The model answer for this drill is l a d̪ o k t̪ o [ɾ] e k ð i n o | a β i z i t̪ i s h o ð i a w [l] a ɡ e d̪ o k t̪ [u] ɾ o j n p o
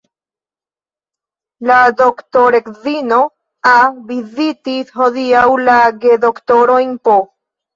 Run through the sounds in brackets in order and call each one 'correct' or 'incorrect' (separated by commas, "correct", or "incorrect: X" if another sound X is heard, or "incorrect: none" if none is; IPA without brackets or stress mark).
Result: correct, correct, incorrect: o